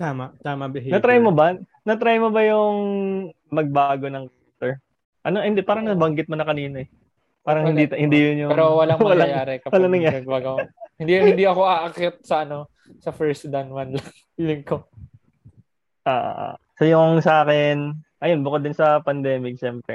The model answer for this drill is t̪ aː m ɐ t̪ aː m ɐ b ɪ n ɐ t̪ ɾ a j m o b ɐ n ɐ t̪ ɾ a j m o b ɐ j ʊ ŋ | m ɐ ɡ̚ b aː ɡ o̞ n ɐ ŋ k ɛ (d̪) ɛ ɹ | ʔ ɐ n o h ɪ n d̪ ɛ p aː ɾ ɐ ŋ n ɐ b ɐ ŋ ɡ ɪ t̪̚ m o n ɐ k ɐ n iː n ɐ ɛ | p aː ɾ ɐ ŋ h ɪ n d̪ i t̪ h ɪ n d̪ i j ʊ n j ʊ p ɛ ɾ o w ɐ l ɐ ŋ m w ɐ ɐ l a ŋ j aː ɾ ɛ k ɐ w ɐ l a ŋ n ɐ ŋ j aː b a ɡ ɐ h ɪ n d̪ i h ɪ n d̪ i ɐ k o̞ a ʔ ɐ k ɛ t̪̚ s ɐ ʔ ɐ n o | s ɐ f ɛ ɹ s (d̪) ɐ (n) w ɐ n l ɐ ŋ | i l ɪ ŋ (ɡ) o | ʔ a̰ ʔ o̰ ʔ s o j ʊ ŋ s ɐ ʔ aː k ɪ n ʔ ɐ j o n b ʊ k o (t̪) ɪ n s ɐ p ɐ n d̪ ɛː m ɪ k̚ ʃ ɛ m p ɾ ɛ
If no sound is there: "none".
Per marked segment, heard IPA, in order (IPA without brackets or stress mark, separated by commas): t̪, d̪, n, k, d̪